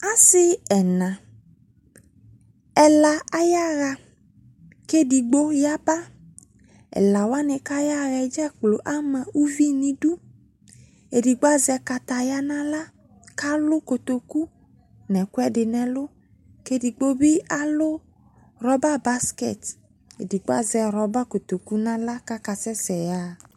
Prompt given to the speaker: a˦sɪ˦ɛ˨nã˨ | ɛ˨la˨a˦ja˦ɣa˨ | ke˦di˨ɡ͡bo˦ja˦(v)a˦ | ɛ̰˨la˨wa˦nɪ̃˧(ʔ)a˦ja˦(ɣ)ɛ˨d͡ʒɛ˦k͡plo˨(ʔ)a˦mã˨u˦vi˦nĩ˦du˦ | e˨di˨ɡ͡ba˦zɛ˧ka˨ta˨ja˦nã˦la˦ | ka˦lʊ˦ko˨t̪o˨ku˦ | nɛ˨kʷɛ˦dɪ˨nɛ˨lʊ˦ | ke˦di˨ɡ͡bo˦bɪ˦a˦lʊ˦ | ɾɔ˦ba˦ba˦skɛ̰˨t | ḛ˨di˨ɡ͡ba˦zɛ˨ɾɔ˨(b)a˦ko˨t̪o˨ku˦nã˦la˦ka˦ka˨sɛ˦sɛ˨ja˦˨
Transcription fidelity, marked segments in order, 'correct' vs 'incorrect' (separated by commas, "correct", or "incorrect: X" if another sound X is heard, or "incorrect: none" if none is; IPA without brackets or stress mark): incorrect: b, incorrect: k, correct, correct, correct